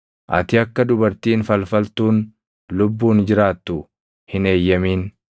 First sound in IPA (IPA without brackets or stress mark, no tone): ʔ